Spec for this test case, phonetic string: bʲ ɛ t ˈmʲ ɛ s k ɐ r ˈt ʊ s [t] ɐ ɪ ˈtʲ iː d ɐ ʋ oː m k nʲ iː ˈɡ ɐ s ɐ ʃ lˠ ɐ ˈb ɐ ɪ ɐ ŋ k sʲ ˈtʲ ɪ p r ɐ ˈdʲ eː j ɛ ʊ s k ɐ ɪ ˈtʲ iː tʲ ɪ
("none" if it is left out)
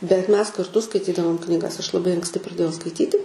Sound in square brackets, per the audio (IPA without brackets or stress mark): k